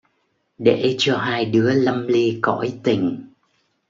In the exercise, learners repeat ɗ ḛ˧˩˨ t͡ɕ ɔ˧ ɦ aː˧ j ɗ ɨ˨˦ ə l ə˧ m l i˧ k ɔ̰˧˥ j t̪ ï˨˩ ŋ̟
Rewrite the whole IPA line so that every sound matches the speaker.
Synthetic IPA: ɗ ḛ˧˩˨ t͡ɕ ɔ˧ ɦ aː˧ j ɗ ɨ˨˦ ə l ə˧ m l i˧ k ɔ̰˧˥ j t̪ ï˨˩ ŋ̟